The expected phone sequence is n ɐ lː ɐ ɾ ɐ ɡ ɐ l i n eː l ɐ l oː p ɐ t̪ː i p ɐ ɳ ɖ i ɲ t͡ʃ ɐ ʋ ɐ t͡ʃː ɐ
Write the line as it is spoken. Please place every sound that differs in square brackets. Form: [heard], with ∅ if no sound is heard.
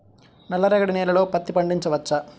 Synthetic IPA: n ɐ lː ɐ ɾ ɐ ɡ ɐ [ɽ] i n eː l ɐ l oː p ɐ t̪ː i p ɐ ɳ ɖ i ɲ t͡ʃ ɐ ʋ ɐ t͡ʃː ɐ